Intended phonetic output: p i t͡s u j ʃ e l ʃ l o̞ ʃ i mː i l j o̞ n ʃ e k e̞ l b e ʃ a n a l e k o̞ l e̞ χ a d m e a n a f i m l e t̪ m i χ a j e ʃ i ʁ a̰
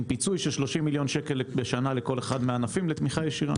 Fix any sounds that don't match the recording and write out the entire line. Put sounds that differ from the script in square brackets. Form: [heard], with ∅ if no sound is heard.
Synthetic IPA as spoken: p i t͡s u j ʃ e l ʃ l o̞ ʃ i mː i l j o̞ n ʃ e k e̞ l b e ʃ a n a l e k o̞ l e̞ χ a d m e a n a f i m l e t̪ m i χ a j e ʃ i ʁ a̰